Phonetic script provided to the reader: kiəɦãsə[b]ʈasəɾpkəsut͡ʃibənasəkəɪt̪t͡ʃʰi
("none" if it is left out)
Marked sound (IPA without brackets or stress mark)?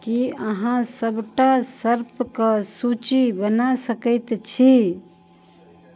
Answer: b